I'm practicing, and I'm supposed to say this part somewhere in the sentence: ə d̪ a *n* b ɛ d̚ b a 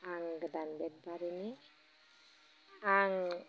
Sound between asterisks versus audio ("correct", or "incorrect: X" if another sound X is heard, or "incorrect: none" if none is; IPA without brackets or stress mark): correct